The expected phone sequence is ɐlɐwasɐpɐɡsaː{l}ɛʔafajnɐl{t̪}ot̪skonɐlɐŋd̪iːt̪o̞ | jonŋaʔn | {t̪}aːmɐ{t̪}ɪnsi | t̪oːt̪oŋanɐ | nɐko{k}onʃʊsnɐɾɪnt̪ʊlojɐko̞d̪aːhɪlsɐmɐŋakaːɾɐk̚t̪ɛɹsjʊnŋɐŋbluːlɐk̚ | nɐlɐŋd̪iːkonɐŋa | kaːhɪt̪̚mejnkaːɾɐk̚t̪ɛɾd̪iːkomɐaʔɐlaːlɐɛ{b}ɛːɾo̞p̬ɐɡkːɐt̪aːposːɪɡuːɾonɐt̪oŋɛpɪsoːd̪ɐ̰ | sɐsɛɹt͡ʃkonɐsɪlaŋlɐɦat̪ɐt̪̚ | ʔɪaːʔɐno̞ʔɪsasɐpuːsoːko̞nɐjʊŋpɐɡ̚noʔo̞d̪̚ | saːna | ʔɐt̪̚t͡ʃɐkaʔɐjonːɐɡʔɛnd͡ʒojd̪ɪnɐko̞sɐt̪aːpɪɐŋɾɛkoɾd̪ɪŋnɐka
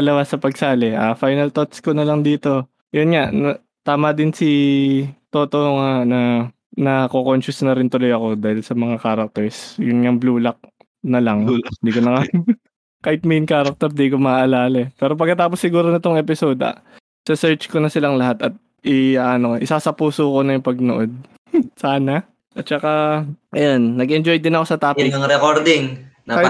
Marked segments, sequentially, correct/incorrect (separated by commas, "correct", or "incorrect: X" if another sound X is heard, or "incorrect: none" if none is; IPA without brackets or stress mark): correct, correct, correct, incorrect: d̪, correct, incorrect: p